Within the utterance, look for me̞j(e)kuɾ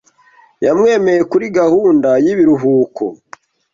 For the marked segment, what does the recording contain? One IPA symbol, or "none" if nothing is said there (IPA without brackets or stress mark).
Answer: e